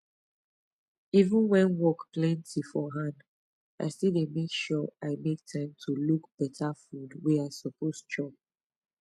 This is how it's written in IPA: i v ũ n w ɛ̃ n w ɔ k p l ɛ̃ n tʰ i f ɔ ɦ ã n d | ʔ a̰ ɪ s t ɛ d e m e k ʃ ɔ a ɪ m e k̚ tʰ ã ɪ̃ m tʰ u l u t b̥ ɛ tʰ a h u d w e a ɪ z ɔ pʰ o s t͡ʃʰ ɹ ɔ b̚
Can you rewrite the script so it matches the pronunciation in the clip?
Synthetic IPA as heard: i v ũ n w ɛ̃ n w ɔ k p l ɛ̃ n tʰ i f ɔ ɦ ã n d | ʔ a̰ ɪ s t i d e m e k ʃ ɔ a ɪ m e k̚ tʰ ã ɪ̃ m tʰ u l u k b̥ ɛ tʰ a f u d w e a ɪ s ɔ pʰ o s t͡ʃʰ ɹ ɔ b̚